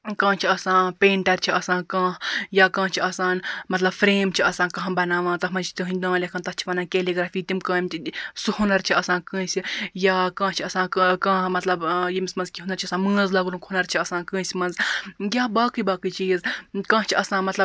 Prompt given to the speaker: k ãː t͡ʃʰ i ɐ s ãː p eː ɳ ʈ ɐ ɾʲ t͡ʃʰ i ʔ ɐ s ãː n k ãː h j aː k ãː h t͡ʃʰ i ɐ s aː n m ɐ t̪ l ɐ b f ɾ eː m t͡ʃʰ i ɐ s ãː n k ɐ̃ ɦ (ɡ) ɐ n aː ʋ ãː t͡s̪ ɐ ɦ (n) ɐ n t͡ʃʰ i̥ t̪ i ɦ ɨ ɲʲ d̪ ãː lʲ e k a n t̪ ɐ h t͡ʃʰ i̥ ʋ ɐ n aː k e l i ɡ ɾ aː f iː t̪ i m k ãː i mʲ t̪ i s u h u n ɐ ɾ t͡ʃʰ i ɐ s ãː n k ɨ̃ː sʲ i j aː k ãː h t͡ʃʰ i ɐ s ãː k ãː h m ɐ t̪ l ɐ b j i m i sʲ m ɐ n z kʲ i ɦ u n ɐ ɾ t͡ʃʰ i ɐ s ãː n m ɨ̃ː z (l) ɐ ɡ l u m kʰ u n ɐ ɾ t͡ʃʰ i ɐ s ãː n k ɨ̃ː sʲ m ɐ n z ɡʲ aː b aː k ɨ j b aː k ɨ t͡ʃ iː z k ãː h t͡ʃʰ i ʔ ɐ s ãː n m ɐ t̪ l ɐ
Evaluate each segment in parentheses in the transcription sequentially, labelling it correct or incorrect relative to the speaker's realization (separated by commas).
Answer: incorrect, incorrect, correct